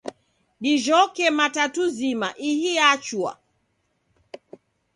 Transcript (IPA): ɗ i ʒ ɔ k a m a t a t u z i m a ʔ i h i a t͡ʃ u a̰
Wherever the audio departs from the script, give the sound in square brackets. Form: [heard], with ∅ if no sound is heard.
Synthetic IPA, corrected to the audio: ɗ i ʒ ɔ k [ɛ] m a t a t u z i m a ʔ i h i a t͡ʃ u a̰